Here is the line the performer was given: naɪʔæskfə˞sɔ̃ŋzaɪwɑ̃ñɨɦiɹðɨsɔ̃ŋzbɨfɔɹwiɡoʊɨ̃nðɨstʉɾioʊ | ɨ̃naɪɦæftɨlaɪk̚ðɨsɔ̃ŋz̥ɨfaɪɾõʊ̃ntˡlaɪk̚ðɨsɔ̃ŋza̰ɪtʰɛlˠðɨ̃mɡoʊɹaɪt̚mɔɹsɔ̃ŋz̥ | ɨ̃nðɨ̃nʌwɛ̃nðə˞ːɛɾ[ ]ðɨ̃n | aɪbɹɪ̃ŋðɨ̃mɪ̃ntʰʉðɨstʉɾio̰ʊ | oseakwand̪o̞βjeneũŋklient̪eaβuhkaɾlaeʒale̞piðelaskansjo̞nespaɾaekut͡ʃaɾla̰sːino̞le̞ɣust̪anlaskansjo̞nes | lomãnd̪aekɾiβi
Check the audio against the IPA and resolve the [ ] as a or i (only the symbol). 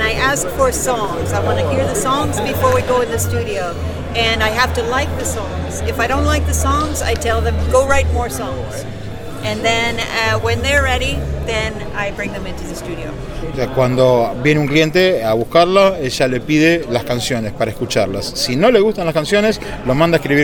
i